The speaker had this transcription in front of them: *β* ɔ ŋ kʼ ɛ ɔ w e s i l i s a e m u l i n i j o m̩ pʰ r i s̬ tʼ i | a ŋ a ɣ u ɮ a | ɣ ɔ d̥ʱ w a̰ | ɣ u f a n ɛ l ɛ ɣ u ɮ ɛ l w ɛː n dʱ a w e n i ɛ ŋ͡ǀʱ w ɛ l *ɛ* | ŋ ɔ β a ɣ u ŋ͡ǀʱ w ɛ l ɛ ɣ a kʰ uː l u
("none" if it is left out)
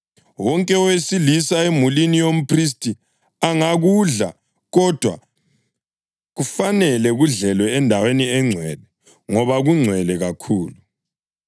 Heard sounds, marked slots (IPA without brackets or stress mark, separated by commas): w, ɛ